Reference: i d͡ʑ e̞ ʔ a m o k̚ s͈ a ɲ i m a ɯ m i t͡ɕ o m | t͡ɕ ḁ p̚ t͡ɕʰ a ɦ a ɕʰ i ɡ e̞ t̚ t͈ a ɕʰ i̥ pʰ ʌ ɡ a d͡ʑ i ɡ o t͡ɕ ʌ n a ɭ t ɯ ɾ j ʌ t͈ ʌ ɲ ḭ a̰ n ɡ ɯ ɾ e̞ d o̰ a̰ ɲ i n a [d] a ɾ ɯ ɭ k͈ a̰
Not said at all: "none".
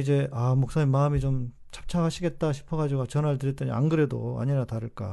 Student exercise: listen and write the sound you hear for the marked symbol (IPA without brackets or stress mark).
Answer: t